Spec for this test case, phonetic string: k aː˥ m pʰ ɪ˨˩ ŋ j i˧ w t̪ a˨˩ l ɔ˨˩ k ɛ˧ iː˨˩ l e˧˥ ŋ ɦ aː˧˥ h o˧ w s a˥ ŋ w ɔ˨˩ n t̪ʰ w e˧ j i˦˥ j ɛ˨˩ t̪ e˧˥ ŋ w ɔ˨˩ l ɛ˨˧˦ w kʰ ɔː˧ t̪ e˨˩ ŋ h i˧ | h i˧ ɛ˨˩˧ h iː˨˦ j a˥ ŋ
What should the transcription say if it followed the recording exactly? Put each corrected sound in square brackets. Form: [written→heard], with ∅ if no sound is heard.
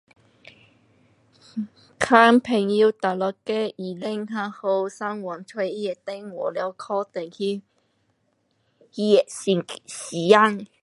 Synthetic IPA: [k→kʰ] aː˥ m pʰ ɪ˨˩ ŋ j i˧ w t̪ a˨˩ l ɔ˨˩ k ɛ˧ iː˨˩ l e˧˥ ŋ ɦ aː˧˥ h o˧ w s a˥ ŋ w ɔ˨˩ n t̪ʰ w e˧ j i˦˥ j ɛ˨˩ t̪ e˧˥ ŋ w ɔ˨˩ l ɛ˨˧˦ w kʰ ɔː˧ t̪ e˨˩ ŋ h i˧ | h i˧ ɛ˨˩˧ [h→s] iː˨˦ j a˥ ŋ